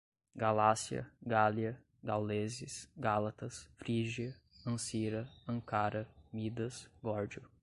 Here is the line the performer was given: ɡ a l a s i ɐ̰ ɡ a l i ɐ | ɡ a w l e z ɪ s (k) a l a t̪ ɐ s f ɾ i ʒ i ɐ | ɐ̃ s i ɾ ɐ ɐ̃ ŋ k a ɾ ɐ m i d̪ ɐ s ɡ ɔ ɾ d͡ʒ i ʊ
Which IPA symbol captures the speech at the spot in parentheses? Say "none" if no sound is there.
ɡ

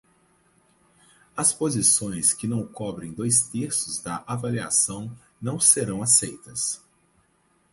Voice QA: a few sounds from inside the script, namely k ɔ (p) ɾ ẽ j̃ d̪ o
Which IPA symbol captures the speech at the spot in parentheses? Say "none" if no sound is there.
b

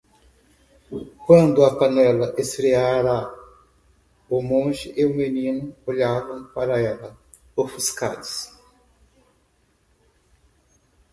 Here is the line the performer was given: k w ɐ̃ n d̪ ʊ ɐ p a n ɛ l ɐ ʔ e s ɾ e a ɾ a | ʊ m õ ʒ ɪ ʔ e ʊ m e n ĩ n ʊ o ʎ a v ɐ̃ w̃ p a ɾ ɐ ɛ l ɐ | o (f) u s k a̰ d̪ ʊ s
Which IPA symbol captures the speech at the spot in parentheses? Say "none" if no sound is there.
f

